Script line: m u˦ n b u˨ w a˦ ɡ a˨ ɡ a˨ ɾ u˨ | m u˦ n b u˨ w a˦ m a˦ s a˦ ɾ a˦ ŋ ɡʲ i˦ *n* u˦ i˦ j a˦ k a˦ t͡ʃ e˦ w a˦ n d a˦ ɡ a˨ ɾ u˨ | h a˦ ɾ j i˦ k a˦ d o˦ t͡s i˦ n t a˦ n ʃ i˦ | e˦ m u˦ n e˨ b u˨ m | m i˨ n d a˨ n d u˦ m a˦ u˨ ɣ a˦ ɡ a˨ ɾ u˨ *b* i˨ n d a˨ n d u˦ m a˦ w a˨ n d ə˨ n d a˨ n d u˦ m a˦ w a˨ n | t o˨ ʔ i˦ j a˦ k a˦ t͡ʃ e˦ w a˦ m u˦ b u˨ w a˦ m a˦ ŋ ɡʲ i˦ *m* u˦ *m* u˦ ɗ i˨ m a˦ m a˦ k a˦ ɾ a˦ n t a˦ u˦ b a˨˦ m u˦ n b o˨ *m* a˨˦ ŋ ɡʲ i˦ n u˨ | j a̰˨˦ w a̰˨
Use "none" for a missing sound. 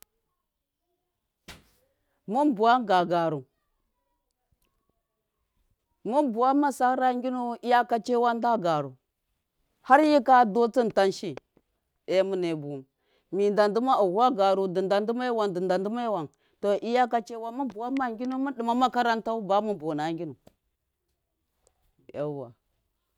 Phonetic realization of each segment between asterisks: n, d, n, m, n

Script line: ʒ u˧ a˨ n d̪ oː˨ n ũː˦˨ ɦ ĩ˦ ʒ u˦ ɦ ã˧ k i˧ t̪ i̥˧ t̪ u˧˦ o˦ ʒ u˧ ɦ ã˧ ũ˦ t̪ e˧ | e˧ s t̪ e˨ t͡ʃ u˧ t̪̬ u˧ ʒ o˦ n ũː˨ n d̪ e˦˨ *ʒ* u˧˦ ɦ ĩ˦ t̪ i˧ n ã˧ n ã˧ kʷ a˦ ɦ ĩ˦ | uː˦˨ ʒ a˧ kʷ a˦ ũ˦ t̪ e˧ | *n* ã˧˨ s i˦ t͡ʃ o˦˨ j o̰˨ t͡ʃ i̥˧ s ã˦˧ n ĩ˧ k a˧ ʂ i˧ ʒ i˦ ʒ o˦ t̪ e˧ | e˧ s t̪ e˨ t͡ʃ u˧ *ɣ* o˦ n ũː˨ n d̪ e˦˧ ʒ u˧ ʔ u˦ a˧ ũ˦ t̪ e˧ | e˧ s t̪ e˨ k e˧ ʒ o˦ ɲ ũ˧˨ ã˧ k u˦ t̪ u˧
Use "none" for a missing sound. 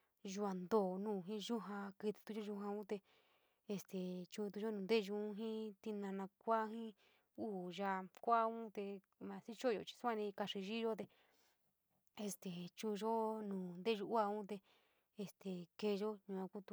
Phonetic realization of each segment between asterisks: ʒ, m, ʒ

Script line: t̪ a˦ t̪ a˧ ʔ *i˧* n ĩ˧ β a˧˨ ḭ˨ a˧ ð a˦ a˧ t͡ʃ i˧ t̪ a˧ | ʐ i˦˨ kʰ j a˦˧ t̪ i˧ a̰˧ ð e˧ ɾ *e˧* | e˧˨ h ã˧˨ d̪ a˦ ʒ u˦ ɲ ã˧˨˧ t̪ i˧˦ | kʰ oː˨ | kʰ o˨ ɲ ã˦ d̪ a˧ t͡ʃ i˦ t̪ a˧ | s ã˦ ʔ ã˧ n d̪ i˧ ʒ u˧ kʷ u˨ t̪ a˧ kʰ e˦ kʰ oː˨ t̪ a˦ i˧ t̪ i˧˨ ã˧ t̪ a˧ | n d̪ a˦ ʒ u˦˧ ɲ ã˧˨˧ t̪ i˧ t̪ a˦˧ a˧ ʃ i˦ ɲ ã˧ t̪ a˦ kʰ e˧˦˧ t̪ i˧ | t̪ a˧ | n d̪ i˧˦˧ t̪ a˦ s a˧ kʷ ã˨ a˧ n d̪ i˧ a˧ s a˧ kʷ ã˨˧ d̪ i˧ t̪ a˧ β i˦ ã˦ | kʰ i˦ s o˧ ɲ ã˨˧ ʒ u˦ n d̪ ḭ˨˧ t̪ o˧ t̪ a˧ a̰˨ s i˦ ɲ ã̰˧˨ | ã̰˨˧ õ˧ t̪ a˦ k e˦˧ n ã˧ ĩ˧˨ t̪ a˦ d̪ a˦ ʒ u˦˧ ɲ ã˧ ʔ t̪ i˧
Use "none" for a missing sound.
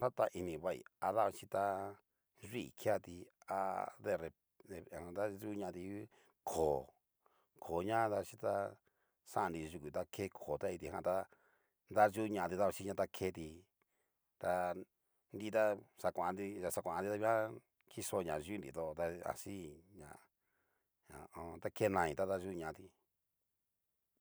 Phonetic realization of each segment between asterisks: i˧, e˧

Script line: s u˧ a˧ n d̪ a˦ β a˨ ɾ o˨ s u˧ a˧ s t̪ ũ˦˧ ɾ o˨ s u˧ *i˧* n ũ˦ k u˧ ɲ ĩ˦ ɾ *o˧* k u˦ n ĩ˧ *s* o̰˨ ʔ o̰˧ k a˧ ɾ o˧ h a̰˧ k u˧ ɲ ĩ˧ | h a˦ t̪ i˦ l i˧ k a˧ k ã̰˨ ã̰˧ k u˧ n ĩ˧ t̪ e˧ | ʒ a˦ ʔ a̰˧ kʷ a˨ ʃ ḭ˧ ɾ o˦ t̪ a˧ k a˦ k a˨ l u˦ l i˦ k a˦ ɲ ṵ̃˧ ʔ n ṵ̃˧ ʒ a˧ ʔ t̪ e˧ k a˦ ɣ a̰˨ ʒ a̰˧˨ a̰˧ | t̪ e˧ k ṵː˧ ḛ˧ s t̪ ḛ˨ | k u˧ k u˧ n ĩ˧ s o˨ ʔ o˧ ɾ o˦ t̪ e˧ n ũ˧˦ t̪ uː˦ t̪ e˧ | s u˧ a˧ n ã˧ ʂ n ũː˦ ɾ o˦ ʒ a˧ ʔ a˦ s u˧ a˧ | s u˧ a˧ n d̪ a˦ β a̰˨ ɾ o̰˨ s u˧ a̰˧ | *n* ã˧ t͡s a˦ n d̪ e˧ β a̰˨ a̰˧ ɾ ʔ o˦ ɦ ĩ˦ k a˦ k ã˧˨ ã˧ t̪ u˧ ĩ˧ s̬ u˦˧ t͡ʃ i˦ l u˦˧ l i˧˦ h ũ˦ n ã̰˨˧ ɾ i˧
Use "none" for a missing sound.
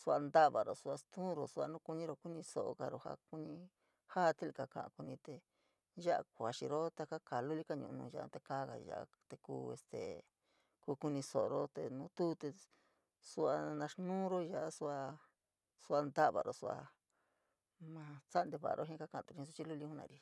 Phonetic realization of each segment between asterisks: a˧, o˧, s, m

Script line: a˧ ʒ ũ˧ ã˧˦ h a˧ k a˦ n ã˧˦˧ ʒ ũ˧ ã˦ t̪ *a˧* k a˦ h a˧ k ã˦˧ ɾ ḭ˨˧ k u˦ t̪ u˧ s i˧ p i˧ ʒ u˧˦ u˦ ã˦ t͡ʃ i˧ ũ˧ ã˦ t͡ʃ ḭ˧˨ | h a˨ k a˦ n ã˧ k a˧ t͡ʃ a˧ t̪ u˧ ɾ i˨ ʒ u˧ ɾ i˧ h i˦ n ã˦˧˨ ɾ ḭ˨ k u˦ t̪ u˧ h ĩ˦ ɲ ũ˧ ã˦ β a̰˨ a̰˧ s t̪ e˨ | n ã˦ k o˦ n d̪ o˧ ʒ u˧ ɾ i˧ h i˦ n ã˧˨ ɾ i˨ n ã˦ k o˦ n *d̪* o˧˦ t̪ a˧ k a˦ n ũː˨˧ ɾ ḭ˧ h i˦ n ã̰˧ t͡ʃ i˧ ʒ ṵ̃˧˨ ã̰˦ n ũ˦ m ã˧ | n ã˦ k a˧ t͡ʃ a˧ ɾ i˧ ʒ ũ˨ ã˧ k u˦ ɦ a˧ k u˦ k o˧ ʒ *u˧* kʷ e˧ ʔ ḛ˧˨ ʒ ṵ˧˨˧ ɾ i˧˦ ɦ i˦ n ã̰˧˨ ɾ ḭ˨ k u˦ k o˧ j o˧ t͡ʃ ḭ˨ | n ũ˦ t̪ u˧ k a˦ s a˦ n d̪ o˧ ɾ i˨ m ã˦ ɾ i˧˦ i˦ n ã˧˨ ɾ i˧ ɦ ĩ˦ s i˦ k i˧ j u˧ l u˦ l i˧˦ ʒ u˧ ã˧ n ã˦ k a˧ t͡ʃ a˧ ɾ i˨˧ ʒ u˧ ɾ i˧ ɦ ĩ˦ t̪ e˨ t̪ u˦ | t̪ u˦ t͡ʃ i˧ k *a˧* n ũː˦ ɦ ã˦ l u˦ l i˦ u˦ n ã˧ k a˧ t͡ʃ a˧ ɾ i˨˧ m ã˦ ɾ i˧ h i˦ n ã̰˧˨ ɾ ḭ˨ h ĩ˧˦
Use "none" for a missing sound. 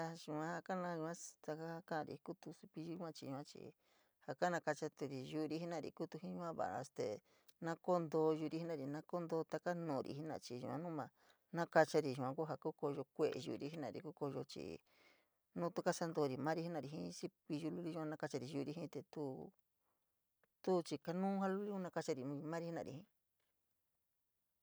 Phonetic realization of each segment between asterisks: a˧, d̪, o˧, a˧

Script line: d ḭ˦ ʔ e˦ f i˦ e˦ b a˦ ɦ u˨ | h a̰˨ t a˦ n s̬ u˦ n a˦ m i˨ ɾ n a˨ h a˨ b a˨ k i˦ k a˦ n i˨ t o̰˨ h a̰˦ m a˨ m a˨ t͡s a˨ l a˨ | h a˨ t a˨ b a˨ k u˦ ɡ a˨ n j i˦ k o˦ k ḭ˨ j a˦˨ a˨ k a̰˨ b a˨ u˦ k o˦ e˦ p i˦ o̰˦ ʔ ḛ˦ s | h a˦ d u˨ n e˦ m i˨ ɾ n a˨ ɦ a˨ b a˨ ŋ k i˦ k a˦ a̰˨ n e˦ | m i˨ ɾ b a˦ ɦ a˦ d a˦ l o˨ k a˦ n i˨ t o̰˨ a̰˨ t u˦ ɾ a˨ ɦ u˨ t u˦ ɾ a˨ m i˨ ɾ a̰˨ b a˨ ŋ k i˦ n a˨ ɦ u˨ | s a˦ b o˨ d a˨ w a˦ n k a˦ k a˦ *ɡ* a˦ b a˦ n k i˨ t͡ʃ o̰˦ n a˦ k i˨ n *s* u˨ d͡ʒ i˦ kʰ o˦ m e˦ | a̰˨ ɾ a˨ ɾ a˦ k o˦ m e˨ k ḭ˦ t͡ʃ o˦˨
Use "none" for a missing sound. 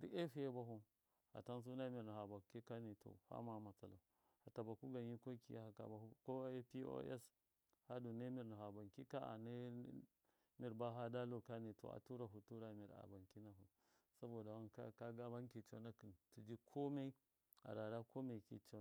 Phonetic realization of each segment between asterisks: ɡ, t

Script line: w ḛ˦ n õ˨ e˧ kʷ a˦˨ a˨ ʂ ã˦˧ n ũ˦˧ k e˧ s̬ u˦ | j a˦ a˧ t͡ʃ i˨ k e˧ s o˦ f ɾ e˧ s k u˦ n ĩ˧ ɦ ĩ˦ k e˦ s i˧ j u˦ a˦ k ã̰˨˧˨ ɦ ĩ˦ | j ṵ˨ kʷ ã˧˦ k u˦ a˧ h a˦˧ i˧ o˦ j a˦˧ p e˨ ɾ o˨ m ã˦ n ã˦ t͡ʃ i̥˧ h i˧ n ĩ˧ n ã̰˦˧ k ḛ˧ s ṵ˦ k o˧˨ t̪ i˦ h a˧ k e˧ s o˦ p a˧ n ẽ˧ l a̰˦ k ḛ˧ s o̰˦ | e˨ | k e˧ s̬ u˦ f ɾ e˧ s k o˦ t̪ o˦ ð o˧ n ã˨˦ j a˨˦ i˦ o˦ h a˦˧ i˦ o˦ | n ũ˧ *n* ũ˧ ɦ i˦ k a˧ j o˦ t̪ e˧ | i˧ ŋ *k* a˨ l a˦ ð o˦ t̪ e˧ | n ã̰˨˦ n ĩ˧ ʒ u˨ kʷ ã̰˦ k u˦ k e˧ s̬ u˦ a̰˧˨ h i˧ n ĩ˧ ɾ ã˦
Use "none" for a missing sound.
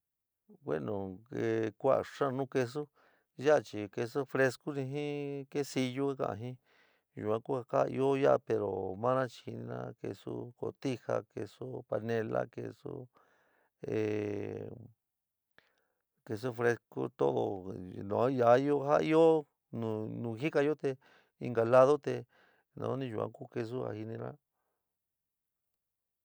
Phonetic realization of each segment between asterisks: n, ɡ

